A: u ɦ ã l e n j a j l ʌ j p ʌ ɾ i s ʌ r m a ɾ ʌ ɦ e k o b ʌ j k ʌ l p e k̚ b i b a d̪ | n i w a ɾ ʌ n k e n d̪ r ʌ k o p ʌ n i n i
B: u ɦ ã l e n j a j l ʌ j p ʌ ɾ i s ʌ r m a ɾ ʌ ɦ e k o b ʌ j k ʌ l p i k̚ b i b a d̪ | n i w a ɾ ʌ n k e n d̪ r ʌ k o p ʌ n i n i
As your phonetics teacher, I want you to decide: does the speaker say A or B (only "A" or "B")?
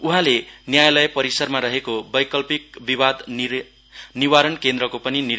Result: B